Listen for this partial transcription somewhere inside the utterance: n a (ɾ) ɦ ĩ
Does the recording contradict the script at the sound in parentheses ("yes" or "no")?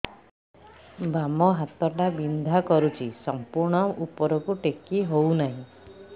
yes